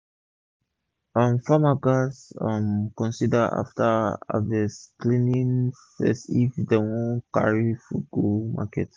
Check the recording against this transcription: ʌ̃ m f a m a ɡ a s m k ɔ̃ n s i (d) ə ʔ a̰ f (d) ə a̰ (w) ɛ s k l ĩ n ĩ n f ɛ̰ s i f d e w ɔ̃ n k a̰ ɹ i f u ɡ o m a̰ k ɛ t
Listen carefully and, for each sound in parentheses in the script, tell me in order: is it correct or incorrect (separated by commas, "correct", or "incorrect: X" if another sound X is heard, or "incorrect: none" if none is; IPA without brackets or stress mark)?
correct, incorrect: t, incorrect: v